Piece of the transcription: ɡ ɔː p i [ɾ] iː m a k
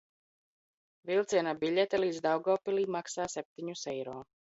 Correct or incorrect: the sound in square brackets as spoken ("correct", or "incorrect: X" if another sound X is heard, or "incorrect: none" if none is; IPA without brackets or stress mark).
incorrect: l